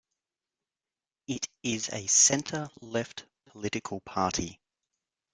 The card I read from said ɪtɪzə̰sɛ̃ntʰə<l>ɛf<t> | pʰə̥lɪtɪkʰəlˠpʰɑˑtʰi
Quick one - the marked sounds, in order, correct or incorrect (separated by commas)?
correct, correct